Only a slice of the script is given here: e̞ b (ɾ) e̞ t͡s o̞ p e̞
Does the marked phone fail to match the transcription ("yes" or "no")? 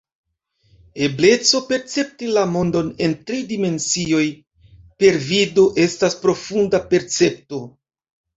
yes